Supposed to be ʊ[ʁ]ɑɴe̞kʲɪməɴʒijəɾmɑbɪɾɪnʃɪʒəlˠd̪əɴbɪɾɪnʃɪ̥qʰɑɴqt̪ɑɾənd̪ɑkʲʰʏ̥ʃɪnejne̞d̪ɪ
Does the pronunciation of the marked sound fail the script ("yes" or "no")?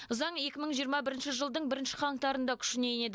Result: yes